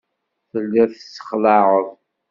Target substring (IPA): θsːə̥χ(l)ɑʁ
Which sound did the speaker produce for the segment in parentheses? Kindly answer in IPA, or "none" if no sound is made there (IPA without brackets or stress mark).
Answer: l